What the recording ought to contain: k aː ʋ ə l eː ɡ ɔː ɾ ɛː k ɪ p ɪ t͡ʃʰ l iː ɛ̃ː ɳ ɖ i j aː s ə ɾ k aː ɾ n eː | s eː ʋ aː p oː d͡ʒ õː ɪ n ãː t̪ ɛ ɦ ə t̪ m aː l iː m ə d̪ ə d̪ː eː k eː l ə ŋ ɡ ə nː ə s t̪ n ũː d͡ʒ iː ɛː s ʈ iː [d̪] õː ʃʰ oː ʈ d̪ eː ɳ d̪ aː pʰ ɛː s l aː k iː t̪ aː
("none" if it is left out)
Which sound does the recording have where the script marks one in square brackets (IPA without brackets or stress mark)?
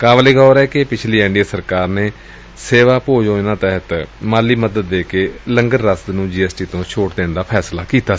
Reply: t̪